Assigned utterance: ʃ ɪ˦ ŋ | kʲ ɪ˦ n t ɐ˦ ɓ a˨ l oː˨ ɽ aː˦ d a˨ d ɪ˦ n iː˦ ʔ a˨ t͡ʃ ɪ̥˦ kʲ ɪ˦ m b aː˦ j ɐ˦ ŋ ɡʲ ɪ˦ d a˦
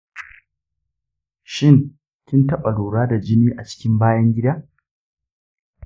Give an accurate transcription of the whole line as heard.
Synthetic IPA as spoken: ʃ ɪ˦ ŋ | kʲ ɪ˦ n t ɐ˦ ɓ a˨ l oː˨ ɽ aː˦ d a˨ d͡ʒ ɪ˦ n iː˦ ʔ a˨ t͡ʃ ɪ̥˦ kʲ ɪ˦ m b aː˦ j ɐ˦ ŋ ɡʲ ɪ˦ d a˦